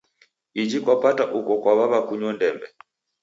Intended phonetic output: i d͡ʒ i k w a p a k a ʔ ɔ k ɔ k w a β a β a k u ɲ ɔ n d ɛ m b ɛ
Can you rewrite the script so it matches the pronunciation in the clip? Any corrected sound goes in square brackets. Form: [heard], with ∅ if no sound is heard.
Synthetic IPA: i d͡ʒ i k w a p a [t] a ʔ [u] k ɔ k w a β a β a k u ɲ ɔ n d ɛ m b ɛ

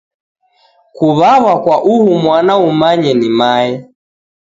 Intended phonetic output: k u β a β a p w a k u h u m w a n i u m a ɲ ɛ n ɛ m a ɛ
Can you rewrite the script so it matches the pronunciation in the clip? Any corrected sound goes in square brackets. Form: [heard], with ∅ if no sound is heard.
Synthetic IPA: k u β a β a [k] w a [ʔ] u h u m w a n [a] u m a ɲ ɛ n [i] m a ɛ

